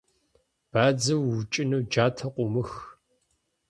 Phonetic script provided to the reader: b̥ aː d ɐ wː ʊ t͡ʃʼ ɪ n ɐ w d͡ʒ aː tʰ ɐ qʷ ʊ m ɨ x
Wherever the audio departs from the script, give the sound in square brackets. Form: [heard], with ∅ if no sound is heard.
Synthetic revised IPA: b̥ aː [d͡z] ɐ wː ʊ t͡ʃʼ ɪ n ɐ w d͡ʒ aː tʰ ɐ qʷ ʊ m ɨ x